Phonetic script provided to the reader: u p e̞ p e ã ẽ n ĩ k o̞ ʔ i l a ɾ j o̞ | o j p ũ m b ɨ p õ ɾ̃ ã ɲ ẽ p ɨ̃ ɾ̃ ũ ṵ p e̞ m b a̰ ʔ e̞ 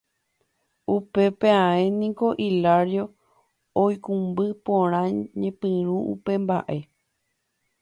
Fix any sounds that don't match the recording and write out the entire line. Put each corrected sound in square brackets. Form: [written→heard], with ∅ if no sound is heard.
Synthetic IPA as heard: u p e̞ p e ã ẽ n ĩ k o̞ ʔ i l a ɾ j o̞ | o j [p→k] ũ m b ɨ p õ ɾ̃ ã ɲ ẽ p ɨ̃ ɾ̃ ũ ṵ p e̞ m b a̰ ʔ e̞